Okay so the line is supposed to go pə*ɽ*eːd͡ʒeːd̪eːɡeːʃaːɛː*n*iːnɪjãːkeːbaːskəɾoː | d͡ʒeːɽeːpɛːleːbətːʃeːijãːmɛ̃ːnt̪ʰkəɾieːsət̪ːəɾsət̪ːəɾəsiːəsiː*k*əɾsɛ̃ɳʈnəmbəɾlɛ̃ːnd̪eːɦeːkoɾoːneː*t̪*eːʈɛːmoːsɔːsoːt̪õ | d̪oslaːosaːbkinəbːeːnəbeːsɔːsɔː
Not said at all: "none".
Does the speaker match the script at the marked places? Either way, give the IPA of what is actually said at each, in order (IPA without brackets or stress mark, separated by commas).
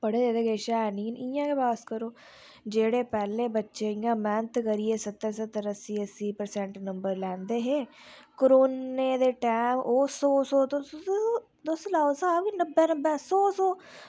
ɽ, n, p, d̪